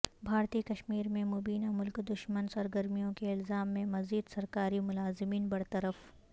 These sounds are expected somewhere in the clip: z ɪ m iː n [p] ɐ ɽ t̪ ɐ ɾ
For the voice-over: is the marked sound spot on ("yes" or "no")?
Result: no